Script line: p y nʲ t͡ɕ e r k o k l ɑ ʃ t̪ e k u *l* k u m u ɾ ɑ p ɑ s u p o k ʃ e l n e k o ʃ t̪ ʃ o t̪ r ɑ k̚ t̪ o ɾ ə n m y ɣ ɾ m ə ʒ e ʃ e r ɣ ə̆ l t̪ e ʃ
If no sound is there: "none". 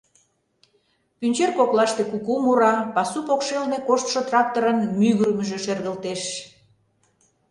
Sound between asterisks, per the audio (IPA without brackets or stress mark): none